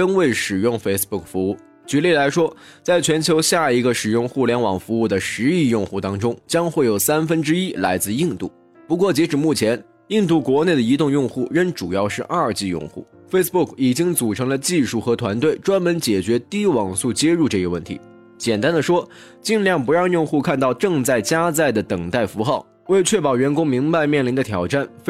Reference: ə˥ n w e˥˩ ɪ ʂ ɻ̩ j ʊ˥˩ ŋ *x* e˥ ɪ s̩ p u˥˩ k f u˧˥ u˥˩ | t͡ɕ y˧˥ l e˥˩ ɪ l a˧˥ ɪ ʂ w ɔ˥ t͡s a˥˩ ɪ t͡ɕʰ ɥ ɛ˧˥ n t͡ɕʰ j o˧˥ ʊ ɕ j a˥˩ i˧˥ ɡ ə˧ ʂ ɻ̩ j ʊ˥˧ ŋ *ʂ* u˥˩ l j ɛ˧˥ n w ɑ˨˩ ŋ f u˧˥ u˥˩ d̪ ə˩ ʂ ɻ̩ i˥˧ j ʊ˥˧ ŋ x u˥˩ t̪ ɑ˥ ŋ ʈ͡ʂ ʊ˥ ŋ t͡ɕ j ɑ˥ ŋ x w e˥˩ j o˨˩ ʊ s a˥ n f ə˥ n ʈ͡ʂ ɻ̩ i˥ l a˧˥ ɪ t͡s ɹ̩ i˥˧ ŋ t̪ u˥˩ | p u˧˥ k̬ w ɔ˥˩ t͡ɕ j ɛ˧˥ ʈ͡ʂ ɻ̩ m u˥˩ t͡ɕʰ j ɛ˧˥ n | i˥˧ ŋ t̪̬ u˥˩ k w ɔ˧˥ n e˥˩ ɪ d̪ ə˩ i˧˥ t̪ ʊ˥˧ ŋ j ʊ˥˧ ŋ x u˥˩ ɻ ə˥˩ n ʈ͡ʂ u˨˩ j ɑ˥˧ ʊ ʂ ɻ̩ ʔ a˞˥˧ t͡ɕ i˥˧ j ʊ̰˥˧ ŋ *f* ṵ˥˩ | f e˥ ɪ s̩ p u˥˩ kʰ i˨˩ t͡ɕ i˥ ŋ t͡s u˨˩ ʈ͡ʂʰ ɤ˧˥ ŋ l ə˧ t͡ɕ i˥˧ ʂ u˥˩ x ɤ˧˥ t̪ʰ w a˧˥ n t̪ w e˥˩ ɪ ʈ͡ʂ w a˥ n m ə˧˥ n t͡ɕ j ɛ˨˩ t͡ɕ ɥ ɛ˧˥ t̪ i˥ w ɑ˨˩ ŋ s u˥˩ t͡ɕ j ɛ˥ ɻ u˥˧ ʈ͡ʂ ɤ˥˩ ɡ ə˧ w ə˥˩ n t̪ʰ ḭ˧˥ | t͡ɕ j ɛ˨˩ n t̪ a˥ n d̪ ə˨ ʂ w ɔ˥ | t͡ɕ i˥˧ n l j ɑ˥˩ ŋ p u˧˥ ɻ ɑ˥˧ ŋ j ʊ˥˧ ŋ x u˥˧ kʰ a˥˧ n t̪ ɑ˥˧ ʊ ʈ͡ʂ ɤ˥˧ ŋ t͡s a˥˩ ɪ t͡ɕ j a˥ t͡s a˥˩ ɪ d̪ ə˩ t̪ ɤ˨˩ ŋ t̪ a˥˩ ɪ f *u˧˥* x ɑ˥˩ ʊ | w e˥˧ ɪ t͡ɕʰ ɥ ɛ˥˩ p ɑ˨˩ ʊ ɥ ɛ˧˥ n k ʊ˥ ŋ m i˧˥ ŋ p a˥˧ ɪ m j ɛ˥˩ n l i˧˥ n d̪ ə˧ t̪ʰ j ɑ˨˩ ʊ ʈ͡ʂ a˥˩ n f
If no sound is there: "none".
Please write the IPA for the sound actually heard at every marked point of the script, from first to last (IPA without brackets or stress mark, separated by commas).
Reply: f, x, x, u˧˥